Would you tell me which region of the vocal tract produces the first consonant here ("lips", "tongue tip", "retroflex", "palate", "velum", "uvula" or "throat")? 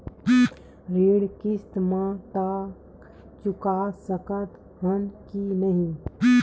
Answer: tongue tip